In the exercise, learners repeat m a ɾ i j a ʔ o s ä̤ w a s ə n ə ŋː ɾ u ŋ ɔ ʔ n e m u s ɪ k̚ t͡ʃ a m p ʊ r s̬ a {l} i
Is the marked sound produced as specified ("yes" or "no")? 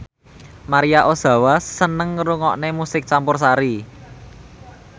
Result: no